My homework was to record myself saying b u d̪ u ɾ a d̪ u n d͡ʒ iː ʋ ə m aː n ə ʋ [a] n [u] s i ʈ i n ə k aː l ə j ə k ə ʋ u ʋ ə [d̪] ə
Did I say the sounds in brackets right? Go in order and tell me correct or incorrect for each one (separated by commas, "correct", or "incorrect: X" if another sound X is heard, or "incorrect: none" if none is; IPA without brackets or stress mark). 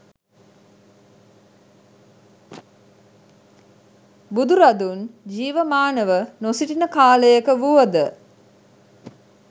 incorrect: ə, incorrect: o, correct